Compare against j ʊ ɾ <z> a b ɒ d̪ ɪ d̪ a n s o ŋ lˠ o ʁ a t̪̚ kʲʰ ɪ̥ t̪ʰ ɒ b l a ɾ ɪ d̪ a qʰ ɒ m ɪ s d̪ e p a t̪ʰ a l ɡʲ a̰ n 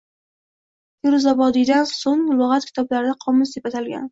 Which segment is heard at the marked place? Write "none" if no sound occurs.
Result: z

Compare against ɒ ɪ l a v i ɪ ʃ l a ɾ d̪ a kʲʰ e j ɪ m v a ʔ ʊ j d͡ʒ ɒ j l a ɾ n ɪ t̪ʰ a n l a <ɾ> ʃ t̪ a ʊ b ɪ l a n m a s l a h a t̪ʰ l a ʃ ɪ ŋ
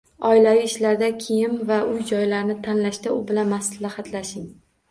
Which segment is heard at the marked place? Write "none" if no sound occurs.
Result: none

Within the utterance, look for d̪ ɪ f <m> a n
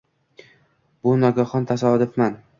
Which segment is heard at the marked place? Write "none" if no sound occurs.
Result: m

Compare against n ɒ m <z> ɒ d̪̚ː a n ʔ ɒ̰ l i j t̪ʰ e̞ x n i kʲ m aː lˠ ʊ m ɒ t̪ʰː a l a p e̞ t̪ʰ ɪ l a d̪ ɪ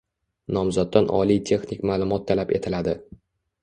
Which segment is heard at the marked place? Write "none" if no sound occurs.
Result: z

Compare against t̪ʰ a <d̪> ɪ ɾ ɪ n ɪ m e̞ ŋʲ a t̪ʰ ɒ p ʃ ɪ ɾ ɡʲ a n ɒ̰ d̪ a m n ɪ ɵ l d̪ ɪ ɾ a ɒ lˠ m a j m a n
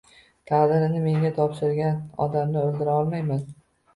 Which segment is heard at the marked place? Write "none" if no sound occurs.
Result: d̪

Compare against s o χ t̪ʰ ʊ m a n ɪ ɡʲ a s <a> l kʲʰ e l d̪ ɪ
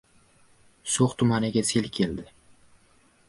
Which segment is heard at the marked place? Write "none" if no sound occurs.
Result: e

